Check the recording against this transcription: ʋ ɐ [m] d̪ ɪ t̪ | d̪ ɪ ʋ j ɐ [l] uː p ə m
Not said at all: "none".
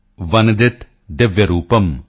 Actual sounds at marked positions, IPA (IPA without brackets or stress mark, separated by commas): n, ɾ